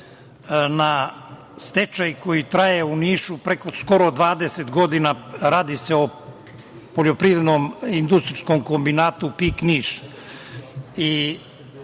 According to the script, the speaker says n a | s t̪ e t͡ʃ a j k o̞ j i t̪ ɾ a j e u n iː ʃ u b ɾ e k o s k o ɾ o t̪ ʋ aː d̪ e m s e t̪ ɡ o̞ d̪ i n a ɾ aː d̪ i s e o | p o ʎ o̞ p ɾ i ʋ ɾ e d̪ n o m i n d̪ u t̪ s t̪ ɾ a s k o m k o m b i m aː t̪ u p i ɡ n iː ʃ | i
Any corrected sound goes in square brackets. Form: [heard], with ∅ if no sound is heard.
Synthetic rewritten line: n a | s t̪ e t͡ʃ a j k o̞ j i t̪ ɾ a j e u n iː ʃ u [p] ɾ e k o s k o ɾ o [d̪] ʋ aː d̪ e [∅] s e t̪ ɡ o̞ d̪ i n a ɾ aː d̪ i s e o | p o ʎ o̞ p ɾ i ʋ ɾ e d̪ n o m i n d̪ u [∅] s t̪ ɾ [i] s k o m k o m b i [n] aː t̪ u p i [k] n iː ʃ | i